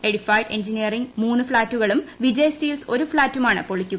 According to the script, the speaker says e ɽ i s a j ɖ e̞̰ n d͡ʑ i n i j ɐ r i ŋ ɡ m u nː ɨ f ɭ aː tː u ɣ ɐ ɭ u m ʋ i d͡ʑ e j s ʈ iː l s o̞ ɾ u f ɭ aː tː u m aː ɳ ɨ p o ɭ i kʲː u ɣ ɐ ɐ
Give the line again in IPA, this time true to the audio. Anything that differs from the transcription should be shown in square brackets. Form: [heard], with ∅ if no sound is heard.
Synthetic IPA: e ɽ i [f] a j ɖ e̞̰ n d͡ʑ i n i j ɐ r i ŋ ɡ m [uː] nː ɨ f ɭ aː tː u ɣ ɐ ɭ u m ʋ i d͡ʑ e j s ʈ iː l s o̞ ɾ u f ɭ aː tː u m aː ɳ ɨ p o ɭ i kʲː u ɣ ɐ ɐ